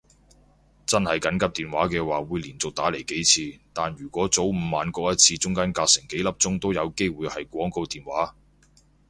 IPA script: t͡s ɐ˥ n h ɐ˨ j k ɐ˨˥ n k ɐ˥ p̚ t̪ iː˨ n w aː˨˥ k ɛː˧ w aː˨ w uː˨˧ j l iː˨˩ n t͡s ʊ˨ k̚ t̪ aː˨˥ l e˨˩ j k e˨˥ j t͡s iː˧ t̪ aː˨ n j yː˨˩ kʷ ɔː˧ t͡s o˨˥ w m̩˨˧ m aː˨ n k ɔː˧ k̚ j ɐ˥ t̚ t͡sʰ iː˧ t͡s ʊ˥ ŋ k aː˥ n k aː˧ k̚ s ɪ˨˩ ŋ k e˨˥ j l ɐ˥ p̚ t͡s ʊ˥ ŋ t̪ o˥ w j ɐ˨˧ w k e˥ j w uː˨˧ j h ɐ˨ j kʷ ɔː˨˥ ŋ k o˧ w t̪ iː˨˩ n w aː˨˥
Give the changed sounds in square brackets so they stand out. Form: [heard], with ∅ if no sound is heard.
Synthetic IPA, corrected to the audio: t͡s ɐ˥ n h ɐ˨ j k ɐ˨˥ n k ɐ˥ p̚ t̪ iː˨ n w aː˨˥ k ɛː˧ w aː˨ w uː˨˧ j l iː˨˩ n t͡s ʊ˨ k̚ t̪ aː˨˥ l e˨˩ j k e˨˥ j [t͡sʰ] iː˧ t̪ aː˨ n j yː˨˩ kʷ [ɔː˨˥] t͡s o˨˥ w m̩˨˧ m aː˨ n k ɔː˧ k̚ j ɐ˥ t̚ t͡sʰ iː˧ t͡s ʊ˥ ŋ k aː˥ n k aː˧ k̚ s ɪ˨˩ ŋ k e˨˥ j l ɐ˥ p̚ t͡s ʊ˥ ŋ t̪ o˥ w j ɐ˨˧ w k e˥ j w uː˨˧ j h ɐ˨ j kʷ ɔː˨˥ ŋ k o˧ w t̪ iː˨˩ n w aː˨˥